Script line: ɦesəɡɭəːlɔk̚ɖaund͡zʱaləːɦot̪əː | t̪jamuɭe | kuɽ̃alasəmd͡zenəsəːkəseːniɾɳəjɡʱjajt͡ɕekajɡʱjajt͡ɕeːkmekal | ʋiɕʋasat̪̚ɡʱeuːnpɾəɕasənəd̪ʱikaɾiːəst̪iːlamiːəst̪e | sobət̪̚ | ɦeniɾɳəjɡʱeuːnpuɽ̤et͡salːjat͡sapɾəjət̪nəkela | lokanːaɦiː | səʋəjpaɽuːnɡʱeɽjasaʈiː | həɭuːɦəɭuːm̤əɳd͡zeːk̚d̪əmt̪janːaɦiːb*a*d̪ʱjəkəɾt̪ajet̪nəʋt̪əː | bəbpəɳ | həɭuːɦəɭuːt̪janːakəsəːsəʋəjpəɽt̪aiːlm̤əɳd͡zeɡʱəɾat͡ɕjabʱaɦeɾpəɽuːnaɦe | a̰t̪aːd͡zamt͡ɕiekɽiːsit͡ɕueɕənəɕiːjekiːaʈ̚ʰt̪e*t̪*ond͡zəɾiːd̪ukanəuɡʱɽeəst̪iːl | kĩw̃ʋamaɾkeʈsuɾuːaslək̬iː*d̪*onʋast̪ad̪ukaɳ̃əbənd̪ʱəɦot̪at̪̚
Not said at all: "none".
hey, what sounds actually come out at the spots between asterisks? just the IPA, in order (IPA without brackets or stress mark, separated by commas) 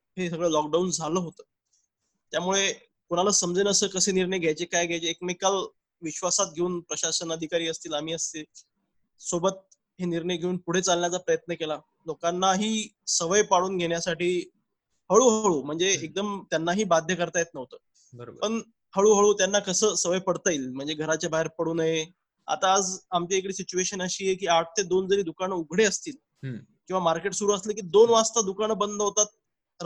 a, d̪, d̪